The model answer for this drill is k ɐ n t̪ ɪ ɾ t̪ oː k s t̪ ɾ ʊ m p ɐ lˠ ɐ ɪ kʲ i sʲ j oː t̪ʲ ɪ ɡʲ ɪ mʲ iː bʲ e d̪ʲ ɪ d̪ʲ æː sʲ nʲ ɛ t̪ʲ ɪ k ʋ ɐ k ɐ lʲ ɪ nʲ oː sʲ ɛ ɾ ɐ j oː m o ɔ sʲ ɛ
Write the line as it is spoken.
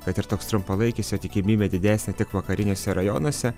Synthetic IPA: k ɐ t̪ ɪ ɾ t̪ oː k s t̪ ɾ ʊ m p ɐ lˠ ɐ ɪ kʲ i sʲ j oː t̪ʲ ɪ kʲ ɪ mʲ iː bʲ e d̪ʲ ɪ d̪ʲ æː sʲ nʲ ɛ t̪ʲ ɪ k ʋ ɐ k ɐ ɾʲ ɪ nʲ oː sʲ ɛ ɾ ɐ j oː n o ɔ sʲ ɛ